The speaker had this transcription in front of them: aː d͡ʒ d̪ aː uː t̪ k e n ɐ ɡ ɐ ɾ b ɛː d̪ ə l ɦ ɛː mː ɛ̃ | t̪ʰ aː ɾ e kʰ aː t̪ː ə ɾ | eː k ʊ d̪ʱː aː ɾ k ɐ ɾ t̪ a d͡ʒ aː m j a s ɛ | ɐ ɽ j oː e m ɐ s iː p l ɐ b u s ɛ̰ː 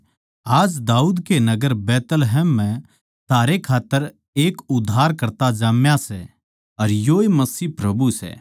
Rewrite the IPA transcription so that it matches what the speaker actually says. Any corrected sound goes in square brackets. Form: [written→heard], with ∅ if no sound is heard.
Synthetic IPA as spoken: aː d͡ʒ d̪ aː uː [t̪→d̪] k e n ɐ ɡ [ɐ→ə] ɾ b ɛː [d̪→t̪] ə l ɦ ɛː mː ɛ̃ | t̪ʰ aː ɾ e kʰ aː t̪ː ə ɾ | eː k ʊ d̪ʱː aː ɾ k ɐ ɾ t̪ a d͡ʒ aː m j a s ɛ | ɐ [ɽ→ɾ] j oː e m ɐ s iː p [l→ɾ] ɐ b u s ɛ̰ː